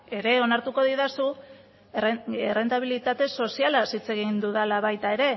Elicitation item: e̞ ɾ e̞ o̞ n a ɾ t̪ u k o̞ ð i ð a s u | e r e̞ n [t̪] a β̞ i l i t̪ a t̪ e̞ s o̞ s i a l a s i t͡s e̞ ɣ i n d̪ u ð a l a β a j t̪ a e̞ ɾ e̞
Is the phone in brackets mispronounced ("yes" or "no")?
no